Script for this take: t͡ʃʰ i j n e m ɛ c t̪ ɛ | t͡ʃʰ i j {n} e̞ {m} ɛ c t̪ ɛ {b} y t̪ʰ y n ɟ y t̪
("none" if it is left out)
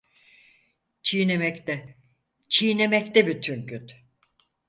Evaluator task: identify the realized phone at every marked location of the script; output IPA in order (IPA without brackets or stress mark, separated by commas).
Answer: n, m, b